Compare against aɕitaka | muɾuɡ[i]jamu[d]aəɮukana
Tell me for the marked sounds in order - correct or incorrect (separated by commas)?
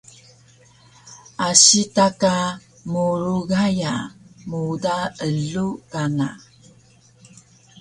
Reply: incorrect, correct